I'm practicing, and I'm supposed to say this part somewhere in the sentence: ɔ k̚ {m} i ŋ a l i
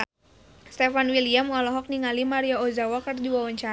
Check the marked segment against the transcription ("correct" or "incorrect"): incorrect